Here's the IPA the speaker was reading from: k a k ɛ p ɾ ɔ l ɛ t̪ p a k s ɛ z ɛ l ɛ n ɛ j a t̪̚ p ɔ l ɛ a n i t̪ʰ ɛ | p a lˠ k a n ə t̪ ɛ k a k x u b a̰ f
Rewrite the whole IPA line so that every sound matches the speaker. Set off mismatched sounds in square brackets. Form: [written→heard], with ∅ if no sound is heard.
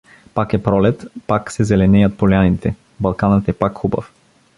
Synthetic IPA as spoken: [k→p] a k ɛ p ɾ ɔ l ɛ t̪ p a k s ɛ z ɛ l ɛ n ɛ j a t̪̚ p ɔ l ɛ a n i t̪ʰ ɛ | [p→b] a lˠ k a n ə t̪ ɛ [k→p] a k x u b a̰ f